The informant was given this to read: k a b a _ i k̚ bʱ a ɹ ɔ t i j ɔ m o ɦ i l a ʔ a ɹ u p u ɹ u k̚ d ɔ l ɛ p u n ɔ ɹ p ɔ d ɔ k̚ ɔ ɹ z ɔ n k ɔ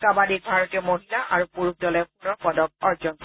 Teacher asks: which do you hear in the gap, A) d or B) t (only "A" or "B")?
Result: A